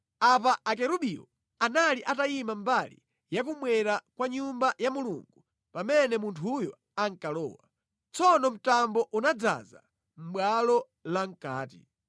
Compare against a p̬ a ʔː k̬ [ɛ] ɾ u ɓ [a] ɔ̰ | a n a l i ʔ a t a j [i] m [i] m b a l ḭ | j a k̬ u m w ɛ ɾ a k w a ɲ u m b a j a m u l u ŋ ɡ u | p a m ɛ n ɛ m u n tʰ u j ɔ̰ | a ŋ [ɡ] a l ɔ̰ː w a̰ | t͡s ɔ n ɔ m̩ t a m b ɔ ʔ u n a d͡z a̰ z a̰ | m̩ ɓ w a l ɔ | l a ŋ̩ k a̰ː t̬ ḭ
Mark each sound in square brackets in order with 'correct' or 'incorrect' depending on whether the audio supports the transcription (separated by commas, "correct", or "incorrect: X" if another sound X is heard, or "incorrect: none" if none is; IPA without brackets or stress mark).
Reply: correct, incorrect: i, correct, incorrect: a, incorrect: k